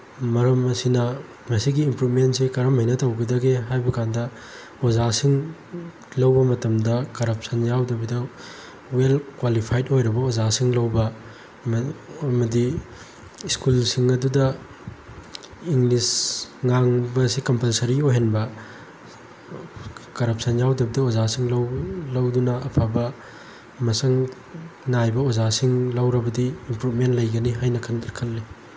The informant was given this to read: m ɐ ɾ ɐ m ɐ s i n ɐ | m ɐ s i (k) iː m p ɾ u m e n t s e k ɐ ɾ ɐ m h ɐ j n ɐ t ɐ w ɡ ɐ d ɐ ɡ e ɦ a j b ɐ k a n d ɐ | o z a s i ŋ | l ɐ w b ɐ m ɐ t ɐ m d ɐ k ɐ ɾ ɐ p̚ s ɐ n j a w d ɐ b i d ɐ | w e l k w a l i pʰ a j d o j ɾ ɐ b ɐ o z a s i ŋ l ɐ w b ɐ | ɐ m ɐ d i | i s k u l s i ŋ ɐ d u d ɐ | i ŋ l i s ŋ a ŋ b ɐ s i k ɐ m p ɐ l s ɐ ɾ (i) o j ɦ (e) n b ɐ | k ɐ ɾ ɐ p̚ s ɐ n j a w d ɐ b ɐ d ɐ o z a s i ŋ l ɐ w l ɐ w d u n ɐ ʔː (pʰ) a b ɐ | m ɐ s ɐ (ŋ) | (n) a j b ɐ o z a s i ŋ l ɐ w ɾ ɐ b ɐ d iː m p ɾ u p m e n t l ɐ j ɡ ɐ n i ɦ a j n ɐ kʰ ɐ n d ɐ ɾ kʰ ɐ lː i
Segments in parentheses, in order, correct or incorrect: incorrect, correct, correct, correct, correct, correct

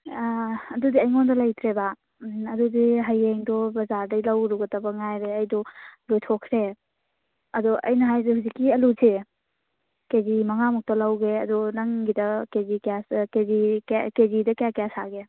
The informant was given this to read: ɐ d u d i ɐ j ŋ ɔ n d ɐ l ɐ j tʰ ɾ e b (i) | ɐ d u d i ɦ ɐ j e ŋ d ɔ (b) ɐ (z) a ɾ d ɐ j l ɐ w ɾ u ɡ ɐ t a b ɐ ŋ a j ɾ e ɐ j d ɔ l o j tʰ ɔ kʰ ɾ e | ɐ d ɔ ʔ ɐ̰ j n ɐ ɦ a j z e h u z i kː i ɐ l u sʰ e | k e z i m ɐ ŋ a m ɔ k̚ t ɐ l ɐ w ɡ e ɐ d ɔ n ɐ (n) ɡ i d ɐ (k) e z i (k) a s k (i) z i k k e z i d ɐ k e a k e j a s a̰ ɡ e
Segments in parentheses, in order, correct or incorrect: incorrect, correct, correct, incorrect, correct, correct, incorrect

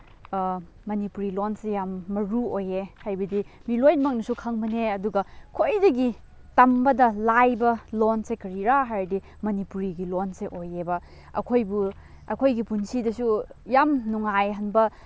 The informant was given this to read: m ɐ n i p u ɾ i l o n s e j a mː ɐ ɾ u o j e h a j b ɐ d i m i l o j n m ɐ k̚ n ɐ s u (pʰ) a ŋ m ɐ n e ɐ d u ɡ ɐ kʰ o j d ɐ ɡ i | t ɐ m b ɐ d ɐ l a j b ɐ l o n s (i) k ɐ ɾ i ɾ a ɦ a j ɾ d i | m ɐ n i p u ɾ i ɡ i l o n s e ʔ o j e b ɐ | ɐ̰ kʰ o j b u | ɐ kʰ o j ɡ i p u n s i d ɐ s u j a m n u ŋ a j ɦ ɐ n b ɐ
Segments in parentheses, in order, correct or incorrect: incorrect, incorrect

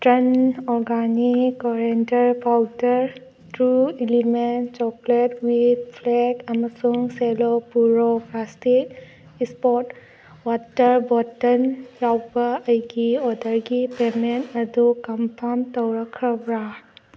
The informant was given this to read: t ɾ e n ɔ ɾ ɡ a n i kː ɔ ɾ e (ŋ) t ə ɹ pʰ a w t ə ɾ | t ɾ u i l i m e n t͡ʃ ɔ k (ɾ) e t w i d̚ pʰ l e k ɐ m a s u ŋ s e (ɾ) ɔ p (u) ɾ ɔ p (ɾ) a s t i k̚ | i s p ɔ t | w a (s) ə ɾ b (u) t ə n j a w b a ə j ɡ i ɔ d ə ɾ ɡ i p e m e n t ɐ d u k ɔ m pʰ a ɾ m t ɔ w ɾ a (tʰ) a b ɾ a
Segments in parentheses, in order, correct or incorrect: incorrect, incorrect, incorrect, correct, incorrect, incorrect, incorrect, incorrect

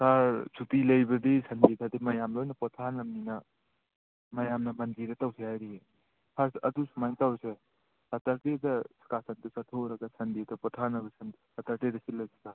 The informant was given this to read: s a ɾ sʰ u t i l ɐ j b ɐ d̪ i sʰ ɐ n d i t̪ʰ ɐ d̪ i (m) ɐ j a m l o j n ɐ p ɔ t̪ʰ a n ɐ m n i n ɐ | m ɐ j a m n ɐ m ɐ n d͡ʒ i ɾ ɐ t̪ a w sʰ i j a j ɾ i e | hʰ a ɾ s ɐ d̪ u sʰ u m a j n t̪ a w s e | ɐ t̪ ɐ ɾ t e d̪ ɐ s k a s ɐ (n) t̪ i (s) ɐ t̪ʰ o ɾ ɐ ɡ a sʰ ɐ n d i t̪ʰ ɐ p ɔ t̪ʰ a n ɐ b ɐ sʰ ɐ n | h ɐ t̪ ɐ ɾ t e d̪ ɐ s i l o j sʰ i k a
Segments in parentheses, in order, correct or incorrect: correct, correct, correct

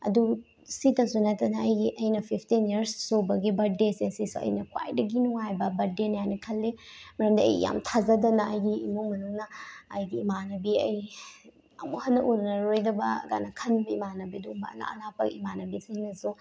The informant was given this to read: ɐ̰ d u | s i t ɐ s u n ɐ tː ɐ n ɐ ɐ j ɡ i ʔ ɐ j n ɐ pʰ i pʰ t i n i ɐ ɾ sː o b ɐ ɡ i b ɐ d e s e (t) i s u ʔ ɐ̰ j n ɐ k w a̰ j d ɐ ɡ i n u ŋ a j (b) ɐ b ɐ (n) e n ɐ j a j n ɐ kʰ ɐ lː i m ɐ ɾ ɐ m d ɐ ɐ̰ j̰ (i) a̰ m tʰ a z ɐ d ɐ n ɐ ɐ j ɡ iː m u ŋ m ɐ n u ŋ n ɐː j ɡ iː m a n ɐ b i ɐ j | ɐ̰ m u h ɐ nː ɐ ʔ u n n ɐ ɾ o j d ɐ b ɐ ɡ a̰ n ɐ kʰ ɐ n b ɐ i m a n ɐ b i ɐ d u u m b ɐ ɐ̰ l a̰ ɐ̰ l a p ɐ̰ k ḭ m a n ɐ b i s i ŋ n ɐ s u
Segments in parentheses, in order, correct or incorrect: incorrect, correct, incorrect, incorrect

